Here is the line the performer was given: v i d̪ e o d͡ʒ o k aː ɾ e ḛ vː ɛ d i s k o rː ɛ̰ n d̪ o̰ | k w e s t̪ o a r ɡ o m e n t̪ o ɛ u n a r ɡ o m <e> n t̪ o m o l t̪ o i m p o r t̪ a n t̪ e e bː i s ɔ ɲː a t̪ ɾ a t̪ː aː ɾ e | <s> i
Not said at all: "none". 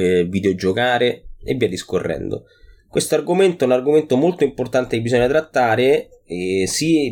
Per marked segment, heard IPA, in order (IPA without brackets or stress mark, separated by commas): e, s